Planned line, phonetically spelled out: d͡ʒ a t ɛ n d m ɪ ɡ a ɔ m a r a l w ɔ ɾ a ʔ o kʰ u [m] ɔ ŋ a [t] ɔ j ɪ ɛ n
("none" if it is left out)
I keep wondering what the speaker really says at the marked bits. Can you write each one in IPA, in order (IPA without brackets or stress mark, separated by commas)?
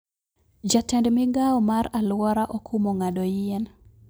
m, d